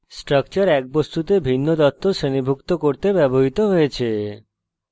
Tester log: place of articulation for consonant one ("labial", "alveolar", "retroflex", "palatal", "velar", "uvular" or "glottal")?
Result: alveolar